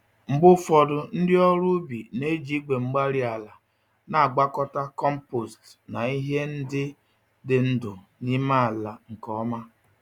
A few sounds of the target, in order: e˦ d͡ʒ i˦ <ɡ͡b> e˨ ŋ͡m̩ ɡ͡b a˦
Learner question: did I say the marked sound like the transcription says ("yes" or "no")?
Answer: yes